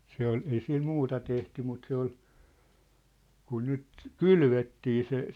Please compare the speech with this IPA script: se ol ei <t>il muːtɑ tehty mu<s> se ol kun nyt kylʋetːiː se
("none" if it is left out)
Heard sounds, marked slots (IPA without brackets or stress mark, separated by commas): s, t